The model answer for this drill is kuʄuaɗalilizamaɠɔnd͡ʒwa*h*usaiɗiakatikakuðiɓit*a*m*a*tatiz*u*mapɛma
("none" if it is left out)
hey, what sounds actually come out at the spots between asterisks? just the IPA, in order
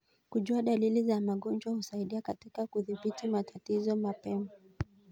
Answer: h, i, a, ɔ

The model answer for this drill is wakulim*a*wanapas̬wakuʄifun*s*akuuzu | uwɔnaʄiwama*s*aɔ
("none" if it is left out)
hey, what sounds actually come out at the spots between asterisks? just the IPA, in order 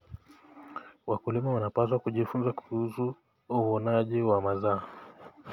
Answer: a, z, z

